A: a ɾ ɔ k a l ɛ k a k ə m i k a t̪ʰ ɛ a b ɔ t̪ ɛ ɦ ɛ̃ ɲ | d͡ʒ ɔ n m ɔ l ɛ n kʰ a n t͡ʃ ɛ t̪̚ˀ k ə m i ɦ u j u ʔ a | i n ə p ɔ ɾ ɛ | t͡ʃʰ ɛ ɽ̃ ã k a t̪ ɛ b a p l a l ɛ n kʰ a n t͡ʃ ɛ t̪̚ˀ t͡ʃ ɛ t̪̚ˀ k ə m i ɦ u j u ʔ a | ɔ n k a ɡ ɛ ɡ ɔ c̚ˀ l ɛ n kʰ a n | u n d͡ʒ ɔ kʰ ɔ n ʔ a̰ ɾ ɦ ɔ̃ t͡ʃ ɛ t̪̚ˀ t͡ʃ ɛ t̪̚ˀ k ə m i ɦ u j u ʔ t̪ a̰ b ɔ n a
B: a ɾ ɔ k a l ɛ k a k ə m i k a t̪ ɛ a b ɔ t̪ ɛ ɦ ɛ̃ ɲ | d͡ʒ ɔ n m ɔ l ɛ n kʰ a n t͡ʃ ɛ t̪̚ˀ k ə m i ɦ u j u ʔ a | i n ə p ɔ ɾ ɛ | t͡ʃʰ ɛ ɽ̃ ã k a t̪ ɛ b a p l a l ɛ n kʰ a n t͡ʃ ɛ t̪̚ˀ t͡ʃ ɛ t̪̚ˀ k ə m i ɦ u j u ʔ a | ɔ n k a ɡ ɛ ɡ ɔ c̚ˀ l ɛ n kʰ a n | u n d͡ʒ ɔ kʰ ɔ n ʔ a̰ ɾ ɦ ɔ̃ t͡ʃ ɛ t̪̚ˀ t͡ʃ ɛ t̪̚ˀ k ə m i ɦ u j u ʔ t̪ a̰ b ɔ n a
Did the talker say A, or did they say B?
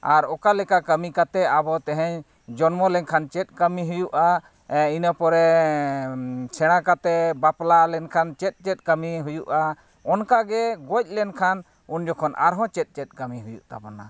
B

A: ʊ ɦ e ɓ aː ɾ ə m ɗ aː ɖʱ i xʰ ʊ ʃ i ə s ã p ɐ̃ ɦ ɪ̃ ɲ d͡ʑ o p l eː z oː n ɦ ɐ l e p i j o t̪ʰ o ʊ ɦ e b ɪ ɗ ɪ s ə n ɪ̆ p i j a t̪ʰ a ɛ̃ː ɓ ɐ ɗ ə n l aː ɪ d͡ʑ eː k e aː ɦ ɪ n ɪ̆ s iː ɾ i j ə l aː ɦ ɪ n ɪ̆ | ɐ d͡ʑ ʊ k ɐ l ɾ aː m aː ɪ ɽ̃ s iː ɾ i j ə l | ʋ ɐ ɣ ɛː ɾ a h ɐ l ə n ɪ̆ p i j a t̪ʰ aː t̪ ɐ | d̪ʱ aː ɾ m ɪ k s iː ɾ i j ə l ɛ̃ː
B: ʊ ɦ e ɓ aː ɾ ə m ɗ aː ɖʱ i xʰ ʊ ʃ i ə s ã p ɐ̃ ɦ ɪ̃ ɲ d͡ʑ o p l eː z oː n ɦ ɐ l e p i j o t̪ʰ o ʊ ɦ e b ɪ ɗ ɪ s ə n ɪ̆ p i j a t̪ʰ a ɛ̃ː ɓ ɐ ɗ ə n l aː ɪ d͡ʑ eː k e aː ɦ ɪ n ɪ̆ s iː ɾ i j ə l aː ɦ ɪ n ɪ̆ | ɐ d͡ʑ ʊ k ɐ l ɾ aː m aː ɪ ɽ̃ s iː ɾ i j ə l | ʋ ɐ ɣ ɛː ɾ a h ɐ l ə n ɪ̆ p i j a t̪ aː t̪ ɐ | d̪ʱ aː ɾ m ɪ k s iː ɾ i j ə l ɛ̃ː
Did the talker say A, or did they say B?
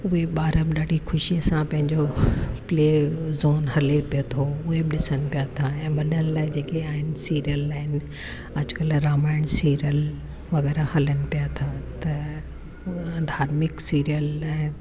A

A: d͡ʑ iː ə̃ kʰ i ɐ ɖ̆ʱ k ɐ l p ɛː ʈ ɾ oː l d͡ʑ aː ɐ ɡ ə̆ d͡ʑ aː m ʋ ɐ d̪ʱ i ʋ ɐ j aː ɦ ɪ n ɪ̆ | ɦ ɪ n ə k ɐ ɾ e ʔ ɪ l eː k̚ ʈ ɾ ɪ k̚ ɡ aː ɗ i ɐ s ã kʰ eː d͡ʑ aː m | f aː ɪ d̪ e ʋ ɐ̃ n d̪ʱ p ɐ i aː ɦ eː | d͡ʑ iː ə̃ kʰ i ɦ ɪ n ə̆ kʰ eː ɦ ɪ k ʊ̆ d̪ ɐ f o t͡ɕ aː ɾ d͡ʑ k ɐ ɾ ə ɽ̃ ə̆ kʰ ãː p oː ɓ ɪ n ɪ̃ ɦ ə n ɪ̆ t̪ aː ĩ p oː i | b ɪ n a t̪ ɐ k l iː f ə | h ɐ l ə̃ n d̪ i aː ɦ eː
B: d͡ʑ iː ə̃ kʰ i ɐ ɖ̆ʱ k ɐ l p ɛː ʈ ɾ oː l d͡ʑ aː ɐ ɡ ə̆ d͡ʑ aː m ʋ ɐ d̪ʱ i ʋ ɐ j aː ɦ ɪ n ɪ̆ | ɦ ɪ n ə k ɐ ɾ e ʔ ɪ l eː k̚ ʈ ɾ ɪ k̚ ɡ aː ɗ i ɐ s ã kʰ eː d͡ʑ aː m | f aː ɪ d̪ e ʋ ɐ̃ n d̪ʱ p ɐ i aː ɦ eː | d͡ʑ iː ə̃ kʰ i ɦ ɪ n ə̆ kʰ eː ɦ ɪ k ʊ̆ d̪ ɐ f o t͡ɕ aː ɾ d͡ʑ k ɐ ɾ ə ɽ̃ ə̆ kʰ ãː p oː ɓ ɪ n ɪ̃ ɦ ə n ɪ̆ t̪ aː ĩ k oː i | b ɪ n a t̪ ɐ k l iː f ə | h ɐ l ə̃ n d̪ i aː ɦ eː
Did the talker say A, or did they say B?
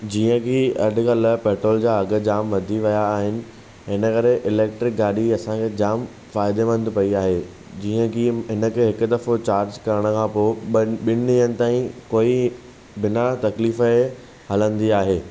B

